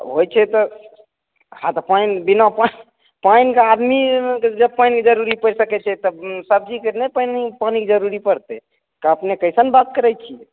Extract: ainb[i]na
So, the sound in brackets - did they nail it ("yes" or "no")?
yes